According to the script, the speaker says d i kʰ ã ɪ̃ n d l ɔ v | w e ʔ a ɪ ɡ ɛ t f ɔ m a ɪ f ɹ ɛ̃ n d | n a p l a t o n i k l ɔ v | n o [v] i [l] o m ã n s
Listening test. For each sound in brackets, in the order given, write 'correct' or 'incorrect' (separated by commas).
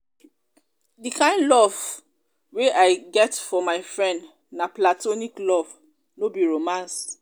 incorrect, incorrect